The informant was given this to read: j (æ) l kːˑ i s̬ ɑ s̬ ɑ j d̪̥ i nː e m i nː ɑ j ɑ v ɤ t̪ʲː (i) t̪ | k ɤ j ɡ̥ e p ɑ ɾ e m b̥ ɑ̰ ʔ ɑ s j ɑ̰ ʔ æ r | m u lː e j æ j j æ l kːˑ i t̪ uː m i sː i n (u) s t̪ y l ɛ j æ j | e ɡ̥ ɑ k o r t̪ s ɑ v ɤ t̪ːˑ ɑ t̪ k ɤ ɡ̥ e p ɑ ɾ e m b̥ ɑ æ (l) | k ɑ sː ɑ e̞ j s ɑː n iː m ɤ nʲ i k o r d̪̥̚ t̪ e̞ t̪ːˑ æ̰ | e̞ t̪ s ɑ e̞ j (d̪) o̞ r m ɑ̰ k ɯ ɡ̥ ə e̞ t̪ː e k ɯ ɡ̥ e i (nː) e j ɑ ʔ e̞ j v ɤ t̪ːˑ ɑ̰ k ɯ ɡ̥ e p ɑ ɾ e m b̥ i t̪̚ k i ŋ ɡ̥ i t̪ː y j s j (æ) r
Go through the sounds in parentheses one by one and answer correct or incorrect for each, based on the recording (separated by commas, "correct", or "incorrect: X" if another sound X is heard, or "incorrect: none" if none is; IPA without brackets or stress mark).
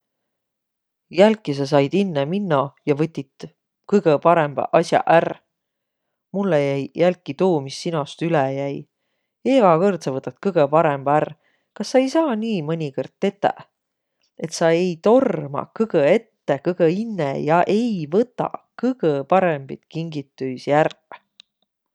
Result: correct, correct, incorrect: o, incorrect: r, incorrect: t̪, correct, correct